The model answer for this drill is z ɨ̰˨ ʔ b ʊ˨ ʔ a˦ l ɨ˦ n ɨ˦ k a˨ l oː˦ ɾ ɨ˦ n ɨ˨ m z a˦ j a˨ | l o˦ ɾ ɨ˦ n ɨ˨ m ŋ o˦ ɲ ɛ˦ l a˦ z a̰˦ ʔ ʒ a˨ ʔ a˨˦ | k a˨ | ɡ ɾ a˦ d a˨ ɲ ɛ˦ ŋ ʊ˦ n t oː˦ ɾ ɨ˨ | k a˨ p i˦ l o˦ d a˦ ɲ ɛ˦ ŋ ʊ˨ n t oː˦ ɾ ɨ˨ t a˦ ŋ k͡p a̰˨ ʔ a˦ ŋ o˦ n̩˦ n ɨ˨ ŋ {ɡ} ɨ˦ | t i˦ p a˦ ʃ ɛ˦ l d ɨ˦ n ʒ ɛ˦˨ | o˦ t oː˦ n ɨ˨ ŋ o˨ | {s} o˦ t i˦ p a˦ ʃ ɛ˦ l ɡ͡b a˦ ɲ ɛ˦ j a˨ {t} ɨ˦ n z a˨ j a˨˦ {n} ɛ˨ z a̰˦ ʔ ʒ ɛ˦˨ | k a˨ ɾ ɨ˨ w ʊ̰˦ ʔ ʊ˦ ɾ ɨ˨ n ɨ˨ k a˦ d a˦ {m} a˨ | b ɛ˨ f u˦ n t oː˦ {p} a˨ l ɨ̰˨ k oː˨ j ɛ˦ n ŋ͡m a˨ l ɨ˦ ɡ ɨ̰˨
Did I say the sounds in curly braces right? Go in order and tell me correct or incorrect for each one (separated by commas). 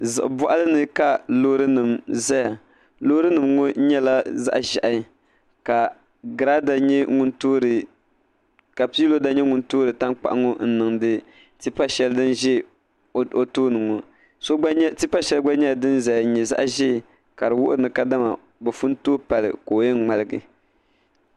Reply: incorrect, correct, incorrect, incorrect, correct, correct